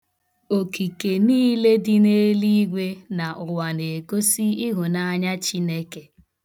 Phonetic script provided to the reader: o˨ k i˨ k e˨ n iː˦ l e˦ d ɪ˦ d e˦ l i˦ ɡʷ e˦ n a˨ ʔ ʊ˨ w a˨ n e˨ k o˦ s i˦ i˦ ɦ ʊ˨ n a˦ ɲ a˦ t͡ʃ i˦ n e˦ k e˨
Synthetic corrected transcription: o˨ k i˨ k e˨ n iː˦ l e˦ d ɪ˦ n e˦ l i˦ ɡʷ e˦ n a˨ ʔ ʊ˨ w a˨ n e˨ k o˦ s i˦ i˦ ɦ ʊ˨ n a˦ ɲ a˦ t͡ʃ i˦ n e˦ k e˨